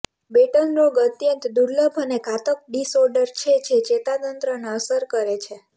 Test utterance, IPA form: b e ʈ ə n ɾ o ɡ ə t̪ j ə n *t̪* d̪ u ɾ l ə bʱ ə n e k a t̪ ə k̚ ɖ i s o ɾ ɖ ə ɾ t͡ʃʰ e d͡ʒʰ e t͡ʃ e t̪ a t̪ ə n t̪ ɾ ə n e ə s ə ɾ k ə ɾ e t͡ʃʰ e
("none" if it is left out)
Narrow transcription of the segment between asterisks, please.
t̪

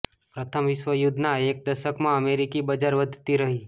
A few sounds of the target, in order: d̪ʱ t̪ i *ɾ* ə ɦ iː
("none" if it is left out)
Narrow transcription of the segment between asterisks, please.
ɾ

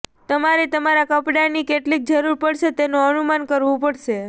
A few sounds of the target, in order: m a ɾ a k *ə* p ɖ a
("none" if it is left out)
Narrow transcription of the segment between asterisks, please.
ə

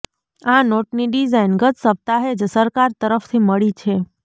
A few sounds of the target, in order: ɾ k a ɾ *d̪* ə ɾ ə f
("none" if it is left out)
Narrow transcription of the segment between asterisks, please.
t̪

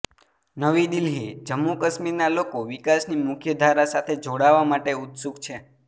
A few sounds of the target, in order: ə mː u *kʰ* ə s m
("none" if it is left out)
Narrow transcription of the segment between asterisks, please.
k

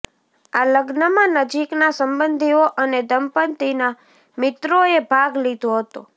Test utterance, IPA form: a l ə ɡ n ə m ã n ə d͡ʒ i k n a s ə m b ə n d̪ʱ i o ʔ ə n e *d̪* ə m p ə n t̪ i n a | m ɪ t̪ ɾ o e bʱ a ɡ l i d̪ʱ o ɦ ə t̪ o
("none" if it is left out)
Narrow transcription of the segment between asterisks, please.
d̪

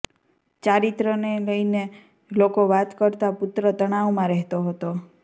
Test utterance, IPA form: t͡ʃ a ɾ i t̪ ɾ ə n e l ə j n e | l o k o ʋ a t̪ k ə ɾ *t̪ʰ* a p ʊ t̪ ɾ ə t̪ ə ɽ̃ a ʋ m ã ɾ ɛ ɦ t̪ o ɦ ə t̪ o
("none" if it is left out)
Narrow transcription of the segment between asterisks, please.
t̪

